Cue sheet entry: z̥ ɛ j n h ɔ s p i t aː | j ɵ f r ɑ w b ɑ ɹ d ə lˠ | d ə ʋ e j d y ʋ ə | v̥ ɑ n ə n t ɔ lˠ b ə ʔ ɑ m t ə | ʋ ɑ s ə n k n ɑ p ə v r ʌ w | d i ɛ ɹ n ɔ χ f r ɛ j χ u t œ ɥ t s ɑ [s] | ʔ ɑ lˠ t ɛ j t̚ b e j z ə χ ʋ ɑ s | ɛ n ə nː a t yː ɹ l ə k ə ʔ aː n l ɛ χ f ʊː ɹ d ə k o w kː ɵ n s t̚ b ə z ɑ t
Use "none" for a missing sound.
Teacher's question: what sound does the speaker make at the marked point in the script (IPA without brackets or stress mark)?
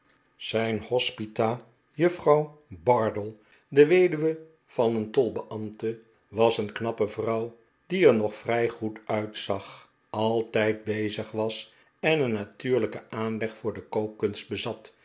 χ